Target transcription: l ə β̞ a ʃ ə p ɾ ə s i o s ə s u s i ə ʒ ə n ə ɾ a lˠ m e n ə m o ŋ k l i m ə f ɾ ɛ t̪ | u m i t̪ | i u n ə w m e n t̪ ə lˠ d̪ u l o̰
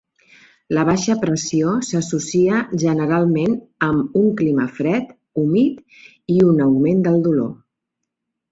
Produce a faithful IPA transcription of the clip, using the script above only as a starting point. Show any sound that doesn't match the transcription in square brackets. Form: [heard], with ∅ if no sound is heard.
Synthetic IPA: l ə β̞ a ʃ ə p ɾ ə s i o s ə s u s i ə ʒ ə n ə ɾ a lˠ m e n ə m [u] ŋ k l i m ə f ɾ ɛ t̪ | u m i t̪ | i u n ə w m e n [d̪] ə lˠ d̪ u l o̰